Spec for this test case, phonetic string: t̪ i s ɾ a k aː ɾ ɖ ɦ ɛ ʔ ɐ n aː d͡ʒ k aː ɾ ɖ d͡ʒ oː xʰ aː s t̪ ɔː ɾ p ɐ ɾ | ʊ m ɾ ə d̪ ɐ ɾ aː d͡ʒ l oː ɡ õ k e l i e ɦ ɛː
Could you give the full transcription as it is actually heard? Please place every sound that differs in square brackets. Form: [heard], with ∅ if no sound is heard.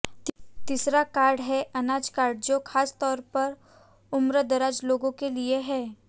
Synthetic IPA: t̪ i s ɾ a k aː ɾ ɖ ɦ ɛ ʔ ɐ n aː d͡ʒ k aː ɾ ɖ d͡ʒ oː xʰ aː s t̪ ɔː ɾ p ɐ ɾ | ʊ m ɾ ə d̪ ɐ ɾ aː d͡ʒ l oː ɡ õ k e l i e ɦ ɛː